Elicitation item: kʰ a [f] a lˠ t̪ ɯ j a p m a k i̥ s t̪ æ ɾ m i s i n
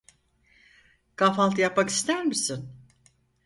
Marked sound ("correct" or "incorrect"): correct